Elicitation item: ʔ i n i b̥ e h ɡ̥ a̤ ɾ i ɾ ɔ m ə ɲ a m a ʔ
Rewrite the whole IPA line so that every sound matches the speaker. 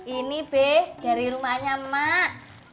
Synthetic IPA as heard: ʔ i n i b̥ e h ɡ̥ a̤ ɾ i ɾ u m a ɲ a m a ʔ